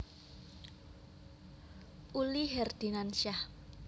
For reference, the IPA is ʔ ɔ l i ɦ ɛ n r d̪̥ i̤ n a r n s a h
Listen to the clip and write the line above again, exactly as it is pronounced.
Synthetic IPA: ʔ u l i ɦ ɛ r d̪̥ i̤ n a n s a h